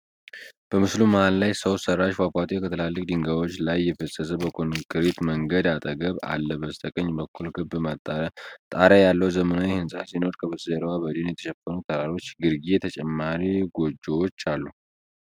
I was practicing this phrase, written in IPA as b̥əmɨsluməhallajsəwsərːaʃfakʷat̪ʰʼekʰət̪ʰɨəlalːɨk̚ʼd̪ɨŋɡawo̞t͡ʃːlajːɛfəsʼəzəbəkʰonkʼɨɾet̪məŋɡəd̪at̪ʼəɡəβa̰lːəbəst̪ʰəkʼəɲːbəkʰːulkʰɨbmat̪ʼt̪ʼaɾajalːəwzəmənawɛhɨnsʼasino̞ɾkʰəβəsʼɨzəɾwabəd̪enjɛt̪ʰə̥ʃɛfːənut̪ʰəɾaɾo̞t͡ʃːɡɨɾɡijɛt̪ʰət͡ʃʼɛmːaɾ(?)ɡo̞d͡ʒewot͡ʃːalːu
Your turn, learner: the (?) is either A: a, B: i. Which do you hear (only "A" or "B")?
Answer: B